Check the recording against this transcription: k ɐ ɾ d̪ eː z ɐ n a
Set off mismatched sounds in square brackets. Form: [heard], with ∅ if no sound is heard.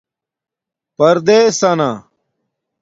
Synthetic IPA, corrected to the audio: [p] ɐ ɾ d̪ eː [s] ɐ n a